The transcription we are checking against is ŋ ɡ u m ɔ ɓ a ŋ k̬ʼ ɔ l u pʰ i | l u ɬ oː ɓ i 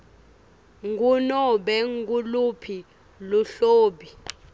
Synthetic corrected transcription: ŋ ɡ u n ɔ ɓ ɛ ŋ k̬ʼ u l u pʰ i | l u ɬ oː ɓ i